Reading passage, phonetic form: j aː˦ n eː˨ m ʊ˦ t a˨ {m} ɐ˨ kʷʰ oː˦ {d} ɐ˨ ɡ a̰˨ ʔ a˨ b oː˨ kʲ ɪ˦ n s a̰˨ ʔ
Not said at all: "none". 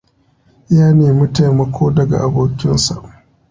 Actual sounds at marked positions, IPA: m, d

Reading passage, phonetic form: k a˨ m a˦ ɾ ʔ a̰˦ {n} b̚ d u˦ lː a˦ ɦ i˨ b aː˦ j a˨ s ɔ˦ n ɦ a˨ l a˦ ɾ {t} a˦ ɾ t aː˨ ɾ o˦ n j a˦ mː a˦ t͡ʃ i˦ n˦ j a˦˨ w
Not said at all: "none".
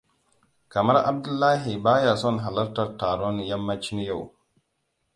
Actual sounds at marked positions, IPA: none, t

